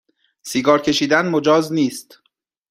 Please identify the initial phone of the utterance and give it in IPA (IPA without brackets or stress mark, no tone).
s